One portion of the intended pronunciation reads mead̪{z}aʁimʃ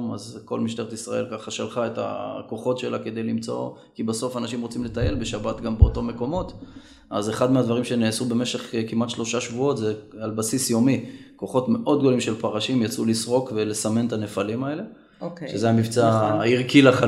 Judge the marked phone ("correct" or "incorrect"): incorrect